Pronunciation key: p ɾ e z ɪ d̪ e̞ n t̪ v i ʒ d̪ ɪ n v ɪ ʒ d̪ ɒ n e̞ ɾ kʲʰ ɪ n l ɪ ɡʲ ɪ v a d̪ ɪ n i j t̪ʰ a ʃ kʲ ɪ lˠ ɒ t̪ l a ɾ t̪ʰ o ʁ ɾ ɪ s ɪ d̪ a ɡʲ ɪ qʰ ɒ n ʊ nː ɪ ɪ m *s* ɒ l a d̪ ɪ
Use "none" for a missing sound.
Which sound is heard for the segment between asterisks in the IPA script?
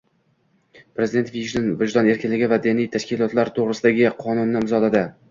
z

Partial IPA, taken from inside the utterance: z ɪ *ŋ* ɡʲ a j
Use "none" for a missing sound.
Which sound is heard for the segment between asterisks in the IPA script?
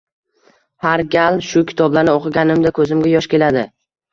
m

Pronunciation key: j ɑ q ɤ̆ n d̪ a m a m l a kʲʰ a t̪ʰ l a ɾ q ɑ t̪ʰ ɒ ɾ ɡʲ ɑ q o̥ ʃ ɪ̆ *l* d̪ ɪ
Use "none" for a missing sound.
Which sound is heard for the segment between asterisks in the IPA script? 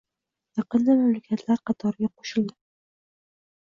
l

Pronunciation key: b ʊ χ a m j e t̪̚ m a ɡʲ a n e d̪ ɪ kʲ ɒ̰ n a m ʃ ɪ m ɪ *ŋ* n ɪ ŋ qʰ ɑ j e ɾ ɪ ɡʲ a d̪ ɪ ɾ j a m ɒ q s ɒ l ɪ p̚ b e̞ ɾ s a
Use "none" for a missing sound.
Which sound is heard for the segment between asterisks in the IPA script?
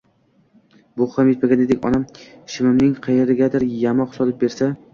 m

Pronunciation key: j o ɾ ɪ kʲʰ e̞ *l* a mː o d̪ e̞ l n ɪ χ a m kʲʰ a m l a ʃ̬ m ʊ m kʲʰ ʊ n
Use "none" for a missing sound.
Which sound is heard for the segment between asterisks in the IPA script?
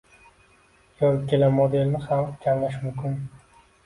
l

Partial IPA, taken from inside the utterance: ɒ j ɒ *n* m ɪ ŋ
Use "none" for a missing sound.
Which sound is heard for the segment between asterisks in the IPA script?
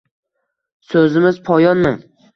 n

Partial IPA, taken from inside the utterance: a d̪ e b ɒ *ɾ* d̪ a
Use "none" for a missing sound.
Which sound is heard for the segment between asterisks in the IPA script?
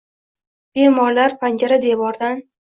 ɾ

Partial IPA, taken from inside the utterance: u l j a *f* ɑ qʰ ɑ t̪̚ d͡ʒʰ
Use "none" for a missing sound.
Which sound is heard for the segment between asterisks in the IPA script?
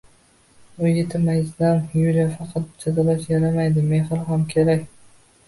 f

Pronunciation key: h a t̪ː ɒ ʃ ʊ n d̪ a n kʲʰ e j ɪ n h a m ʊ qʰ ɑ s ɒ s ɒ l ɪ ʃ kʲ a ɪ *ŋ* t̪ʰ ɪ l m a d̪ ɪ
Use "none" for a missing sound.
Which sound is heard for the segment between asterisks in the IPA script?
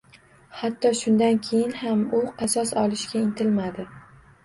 n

